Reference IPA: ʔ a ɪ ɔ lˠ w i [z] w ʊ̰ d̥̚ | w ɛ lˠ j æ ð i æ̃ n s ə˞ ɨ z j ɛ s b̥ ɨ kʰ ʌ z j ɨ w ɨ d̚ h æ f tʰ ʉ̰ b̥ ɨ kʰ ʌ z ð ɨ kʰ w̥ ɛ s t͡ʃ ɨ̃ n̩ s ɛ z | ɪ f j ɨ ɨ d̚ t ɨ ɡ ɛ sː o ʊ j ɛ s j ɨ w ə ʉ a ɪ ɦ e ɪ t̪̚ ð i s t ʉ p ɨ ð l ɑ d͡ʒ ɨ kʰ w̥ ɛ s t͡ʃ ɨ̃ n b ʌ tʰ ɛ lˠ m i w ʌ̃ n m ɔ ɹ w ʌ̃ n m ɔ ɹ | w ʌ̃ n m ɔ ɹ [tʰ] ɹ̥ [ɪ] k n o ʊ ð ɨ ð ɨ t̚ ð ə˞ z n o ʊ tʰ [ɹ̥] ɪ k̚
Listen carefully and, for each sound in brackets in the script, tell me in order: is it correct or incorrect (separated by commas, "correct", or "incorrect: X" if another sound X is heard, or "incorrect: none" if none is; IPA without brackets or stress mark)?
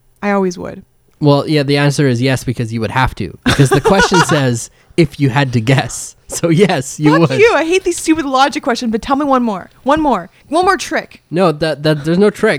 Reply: correct, correct, correct, correct